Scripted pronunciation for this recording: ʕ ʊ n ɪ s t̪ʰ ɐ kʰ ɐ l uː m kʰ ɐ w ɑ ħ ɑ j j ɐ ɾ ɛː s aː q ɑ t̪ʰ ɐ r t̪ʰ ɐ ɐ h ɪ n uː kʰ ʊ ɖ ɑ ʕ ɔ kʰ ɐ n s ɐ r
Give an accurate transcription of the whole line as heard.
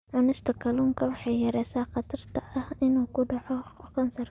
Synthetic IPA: ʕ ʊ n ɪ s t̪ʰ ɐ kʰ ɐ l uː ŋ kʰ ɐ w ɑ ħ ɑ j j ɐ ɾ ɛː s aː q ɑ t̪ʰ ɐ r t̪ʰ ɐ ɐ h ɪ n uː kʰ ʊ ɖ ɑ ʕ ɔ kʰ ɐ n s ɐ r